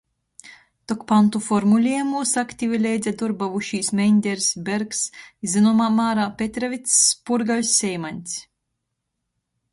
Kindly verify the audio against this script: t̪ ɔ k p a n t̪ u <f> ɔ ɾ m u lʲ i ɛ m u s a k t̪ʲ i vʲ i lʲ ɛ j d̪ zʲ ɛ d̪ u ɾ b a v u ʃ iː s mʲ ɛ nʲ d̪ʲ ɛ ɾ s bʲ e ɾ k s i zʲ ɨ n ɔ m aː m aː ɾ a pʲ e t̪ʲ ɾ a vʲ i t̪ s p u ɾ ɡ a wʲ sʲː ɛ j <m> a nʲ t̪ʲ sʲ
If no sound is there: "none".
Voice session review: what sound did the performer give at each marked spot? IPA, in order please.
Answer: f, m

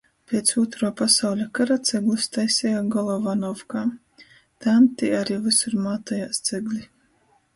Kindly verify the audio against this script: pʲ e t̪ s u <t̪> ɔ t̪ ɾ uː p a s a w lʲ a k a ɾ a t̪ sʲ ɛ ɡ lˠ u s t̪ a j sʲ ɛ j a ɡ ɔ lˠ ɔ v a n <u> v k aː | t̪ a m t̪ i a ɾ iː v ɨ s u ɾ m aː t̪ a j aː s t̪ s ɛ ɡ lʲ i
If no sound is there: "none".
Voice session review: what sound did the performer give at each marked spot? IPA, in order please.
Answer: none, ɔ

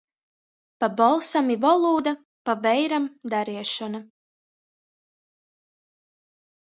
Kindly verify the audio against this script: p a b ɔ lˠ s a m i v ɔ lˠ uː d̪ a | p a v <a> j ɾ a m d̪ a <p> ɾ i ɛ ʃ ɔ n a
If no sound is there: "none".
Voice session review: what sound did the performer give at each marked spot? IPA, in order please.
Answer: ɛ, none

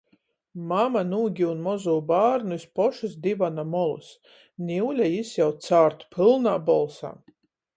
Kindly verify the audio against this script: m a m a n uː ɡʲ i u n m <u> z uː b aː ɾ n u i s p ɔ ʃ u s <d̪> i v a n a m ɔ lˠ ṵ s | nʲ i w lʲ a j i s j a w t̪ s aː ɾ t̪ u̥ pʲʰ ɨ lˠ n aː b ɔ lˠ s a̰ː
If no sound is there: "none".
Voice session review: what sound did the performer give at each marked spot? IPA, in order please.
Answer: ɔ, d̪

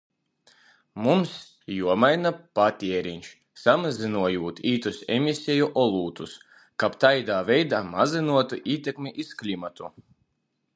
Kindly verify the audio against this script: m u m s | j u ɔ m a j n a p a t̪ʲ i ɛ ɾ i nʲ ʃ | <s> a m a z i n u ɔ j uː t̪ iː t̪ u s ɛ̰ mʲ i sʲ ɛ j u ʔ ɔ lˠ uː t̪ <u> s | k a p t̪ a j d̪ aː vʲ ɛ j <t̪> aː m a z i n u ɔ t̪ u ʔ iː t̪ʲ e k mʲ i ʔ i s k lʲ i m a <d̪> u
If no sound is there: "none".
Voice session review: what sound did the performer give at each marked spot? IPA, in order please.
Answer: s, u, d̪, t̪

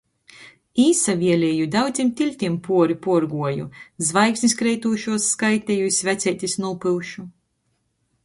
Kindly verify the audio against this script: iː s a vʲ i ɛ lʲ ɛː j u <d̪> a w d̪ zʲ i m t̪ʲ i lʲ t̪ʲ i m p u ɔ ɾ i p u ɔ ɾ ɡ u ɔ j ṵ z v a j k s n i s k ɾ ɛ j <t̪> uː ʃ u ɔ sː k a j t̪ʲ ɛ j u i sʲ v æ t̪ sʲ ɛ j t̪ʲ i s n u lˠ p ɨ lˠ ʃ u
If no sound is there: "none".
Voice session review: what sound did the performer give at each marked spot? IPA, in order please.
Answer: d̪, t̪

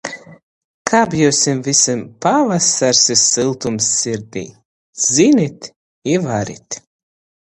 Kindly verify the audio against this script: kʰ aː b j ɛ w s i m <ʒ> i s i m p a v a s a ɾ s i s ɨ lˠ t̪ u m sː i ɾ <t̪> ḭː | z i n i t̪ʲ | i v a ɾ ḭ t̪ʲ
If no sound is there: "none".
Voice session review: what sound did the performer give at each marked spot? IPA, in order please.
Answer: v, d̪

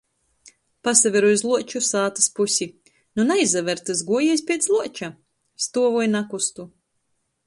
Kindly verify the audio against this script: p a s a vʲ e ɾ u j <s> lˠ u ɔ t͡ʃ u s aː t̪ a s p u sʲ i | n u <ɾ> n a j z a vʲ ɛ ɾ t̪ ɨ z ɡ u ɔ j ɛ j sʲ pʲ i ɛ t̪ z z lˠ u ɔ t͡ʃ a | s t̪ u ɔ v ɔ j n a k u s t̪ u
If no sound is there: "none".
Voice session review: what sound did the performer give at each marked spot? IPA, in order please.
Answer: z, none

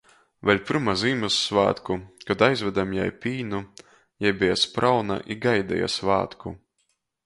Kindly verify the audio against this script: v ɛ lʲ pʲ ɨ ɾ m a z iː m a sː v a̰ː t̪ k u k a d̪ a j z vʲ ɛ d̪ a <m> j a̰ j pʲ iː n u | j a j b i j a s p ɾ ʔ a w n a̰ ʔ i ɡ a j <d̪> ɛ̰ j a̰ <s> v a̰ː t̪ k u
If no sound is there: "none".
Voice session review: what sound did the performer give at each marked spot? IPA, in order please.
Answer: m, d̪, s

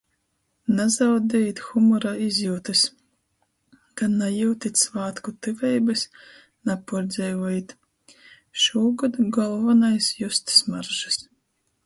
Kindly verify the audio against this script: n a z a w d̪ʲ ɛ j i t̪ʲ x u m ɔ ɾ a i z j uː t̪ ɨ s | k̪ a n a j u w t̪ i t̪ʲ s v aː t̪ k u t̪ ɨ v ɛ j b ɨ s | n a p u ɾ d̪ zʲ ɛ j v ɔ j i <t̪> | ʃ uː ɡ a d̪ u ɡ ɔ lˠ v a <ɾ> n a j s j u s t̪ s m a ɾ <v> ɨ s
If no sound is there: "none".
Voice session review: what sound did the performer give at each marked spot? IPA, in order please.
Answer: t̪, none, ʒ

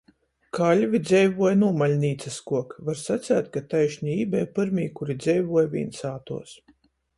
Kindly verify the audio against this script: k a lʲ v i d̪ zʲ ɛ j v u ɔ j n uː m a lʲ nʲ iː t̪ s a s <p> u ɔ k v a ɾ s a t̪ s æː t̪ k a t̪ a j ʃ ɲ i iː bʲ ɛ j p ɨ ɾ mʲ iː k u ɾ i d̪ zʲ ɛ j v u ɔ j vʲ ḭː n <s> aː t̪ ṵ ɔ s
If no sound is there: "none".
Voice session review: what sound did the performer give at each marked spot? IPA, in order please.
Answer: k, s

